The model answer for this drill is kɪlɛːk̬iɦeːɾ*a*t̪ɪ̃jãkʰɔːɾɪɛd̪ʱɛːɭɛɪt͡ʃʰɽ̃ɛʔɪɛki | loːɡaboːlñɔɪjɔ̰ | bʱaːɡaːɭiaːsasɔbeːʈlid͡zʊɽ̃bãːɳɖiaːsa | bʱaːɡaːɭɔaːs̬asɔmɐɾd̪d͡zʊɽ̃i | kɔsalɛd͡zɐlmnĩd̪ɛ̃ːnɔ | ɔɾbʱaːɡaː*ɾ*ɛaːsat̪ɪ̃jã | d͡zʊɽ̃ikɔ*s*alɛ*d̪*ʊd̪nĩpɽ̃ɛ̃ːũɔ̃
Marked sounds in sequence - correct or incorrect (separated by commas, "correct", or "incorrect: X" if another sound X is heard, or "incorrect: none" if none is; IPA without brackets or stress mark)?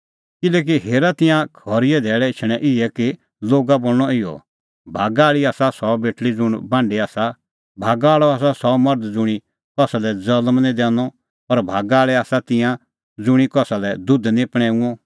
correct, incorrect: ɭ, correct, correct